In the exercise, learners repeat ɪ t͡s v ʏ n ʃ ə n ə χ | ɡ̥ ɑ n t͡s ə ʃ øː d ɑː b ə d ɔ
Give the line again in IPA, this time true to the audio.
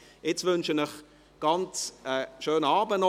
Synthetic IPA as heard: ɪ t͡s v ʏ n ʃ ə n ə χ | ɡ̥ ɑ n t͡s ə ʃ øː n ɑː b ə n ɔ